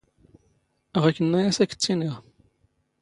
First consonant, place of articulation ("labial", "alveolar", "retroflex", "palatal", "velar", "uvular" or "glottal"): uvular